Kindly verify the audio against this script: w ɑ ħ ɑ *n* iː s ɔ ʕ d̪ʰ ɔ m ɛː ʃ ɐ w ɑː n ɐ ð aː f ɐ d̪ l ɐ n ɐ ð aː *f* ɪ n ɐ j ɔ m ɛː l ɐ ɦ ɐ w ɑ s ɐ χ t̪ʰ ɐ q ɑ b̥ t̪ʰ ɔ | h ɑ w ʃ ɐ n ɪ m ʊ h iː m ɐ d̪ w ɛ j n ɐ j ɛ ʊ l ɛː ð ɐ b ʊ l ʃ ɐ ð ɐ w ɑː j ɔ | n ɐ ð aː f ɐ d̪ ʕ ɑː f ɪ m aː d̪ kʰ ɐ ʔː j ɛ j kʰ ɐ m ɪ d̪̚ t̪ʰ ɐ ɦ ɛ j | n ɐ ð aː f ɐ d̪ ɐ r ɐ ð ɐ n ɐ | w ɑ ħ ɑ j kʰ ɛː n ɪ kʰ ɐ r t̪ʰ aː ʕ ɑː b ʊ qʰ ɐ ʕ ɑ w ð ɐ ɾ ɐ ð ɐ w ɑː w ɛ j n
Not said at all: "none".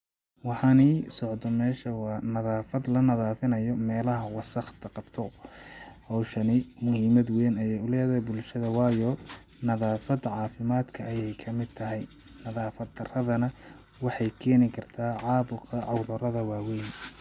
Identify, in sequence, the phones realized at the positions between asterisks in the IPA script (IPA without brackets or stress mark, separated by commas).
n, f